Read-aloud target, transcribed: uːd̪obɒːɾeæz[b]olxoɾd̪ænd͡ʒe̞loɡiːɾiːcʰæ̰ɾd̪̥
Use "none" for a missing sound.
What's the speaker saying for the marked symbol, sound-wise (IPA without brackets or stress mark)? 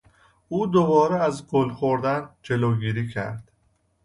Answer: ɡ